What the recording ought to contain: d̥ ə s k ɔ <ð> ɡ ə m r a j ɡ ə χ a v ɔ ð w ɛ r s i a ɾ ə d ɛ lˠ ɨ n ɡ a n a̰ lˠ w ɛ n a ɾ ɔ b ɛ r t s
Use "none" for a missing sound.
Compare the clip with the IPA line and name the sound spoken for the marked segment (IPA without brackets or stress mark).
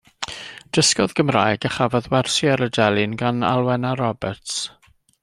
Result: ð